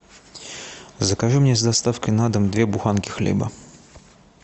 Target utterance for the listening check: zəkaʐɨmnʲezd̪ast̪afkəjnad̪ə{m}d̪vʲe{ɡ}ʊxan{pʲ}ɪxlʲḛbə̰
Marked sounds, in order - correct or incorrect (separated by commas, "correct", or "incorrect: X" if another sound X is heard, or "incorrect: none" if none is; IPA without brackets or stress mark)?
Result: correct, incorrect: b, incorrect: kʲ